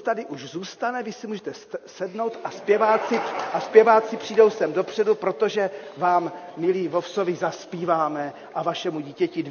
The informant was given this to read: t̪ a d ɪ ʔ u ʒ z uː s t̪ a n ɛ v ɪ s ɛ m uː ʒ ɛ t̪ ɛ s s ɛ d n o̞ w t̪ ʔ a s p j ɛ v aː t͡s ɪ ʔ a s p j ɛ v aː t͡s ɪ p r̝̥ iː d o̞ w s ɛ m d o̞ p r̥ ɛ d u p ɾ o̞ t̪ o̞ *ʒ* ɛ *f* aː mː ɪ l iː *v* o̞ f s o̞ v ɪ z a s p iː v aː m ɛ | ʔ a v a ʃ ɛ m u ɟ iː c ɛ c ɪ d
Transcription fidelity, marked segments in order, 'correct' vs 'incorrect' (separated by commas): correct, incorrect, correct